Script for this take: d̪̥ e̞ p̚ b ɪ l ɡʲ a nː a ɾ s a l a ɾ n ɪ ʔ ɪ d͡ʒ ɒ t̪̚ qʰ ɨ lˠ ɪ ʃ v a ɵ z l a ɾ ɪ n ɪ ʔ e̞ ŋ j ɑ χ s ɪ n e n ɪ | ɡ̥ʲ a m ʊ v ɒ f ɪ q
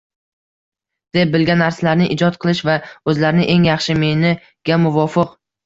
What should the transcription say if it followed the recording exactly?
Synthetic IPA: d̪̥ e̞ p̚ b ɪ l ɡʲ a nː a ɾ s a l a ɾ n ɪ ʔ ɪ d͡ʒ ɒ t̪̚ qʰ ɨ lˠ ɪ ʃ v a ɵ z l a ɾ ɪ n ɪ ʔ e̞ ŋ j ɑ χ ʃ ɪ m e n ɪ | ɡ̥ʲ a m ʊ v ɒ f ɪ q